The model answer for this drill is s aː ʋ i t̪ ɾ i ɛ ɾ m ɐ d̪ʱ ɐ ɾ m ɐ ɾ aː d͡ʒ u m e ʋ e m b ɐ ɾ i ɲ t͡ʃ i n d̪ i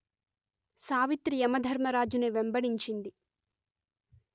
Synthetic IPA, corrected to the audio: s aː ʋ i t̪ ɾ i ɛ m ɐ d̪ʱ ɐ ɾ m ɐ ɾ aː d͡ʒ u n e ʋ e m b ɐ ɽ i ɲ t͡ʃ i n d̪ i

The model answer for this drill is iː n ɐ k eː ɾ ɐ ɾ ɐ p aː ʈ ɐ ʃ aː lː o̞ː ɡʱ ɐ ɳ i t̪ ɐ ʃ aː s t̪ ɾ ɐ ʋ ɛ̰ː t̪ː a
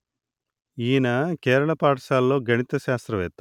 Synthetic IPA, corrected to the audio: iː n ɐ k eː ɾ ɐ ɭ ɐ p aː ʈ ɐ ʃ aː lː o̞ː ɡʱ ɐ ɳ i t̪ ɐ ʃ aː s t̪ ɾ ɐ ʋ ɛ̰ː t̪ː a

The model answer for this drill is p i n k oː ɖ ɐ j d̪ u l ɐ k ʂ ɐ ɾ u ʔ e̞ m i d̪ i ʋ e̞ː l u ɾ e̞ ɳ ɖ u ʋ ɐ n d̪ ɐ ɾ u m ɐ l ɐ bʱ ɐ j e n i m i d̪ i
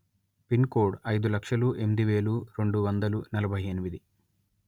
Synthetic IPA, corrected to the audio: p i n k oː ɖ ɐ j d̪ u l ɐ k ʂ ɐ l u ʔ e̞ m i d̪ i ʋ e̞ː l u ɾ e̞ ɳ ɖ u ʋ ɐ n d̪ ɐ l u n ɐ l ɐ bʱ ɐ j e n i m i d̪ i

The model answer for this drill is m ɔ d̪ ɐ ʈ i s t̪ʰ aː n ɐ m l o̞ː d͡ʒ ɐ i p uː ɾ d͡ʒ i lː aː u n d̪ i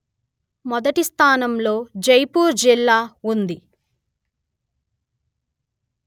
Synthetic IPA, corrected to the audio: m ɔ d̪ ɐ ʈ i s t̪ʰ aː n ɐ m l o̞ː d͡ʒ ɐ j p uː ɾ d͡ʒ i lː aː u n d̪ i

